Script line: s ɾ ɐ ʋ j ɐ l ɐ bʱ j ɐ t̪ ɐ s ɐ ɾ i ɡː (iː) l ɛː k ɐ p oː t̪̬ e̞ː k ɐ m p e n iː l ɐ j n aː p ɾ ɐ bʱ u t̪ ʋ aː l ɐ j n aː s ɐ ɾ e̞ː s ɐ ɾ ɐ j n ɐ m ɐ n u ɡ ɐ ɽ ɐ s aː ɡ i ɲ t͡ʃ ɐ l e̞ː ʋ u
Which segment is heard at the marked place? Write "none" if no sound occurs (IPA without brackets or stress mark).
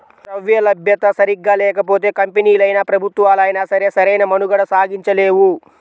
aː